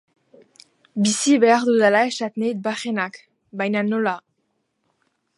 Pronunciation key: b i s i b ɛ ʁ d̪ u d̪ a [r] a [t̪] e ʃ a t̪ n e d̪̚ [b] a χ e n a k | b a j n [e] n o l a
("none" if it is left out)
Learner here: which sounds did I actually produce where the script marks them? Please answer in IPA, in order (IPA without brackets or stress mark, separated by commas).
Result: l, none, b, a